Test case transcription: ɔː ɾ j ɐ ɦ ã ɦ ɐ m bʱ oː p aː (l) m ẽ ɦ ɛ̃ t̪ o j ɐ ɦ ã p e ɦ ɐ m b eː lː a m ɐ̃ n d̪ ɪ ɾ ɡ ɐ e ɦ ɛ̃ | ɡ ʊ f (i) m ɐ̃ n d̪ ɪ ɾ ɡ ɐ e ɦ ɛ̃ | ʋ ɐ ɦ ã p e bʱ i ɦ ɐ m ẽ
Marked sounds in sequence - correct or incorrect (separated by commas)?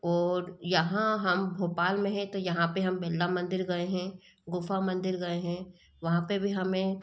correct, incorrect